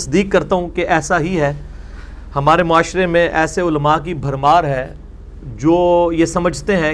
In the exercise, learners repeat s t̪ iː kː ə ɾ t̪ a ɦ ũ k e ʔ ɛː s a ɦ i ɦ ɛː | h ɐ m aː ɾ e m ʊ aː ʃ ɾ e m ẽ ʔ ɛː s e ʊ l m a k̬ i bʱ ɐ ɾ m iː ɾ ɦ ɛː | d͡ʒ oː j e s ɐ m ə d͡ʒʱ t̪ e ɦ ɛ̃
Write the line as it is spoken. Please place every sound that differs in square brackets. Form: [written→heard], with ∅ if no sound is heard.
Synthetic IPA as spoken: s [t̪→d̪] iː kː [ə→ɐ] ɾ t̪ a ɦ ũ k e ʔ ɛː s a ɦ i ɦ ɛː | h ɐ m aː ɾ e m ʊ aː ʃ ɾ e m ẽ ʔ ɛː s e ʊ l m a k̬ i bʱ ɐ ɾ m [iː→aː] ɾ ɦ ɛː | d͡ʒ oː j e s ɐ m ə d͡ʒʱ t̪ e ɦ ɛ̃